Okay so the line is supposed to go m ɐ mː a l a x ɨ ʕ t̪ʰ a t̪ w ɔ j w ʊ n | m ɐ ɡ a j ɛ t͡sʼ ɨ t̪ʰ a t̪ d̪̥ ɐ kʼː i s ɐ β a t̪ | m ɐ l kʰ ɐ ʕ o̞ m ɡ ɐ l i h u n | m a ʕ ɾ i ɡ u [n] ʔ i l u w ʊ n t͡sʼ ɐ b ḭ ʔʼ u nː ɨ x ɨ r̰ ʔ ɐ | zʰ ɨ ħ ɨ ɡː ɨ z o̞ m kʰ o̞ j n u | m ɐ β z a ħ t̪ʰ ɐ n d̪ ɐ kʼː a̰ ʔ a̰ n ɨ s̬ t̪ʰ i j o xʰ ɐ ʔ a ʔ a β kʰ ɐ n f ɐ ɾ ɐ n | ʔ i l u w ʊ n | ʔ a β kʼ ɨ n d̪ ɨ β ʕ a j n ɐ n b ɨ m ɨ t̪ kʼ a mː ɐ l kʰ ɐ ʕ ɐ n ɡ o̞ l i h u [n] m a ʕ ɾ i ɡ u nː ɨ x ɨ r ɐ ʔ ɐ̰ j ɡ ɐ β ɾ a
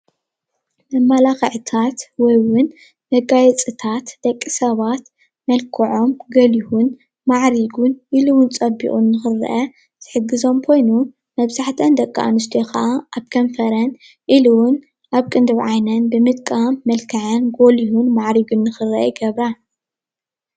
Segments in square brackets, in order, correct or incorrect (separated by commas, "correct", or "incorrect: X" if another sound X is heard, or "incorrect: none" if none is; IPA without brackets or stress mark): correct, correct